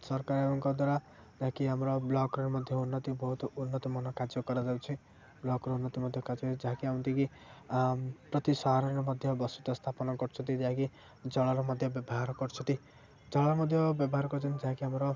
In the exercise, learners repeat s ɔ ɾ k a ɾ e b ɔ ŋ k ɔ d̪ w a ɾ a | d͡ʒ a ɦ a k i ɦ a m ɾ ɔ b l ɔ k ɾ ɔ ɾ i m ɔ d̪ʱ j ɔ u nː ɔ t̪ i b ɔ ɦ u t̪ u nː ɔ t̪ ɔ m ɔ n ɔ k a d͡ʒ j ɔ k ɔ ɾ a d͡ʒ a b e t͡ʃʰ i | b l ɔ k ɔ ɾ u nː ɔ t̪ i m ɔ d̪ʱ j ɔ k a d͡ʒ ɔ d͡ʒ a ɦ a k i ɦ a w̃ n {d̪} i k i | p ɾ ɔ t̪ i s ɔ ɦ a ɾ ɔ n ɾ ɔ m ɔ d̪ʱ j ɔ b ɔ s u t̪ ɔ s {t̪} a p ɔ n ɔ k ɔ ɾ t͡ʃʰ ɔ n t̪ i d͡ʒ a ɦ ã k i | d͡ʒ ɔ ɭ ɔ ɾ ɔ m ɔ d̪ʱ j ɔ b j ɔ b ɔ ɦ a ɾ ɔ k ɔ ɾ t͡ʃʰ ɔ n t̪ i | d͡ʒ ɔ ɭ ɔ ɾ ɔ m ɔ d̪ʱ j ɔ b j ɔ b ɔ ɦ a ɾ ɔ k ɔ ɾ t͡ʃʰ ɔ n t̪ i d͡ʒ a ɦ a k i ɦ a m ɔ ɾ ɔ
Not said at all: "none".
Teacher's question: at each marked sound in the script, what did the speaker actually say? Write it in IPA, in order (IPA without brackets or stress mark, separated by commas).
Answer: t̪, t̪ʰ